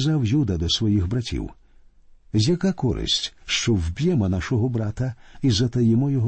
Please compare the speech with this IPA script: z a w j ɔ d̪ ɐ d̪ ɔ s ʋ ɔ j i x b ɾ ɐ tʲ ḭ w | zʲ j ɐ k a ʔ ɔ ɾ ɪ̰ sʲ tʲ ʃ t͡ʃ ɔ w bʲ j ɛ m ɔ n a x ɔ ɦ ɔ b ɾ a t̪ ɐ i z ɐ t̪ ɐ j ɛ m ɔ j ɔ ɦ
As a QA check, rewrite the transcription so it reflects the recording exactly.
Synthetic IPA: z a w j u d̪ ɐ d̪ ɔ s ʋ ɔ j i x b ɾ ɐ tʲ ḭ w | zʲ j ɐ k a k ɔ ɾ ɪ̰ sʲ tʲ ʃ t͡ʃ ɔ w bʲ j ɛ m ɔ n a ʃ ɔ ɦ ɔ b ɾ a t̪ ɐ i z ɐ t̪ ɐ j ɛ m ɔ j ɔ ɦ